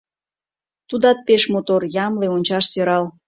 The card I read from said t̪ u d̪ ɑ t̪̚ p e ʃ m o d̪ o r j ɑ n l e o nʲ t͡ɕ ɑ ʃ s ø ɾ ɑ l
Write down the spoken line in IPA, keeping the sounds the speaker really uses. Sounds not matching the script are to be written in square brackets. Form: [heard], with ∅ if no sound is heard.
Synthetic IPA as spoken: t̪ u d̪ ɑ t̪̚ p e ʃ m o [t̪] o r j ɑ [m] l e o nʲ t͡ɕ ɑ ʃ s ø ɾ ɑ l